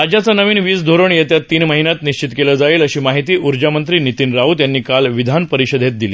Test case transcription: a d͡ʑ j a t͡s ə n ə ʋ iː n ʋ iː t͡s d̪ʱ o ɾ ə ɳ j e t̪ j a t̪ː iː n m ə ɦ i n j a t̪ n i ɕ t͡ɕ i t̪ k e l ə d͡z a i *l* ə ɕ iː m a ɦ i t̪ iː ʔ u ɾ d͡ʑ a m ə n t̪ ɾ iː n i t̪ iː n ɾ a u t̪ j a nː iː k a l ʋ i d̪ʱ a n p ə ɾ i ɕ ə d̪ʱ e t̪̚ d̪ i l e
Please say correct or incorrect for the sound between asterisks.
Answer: correct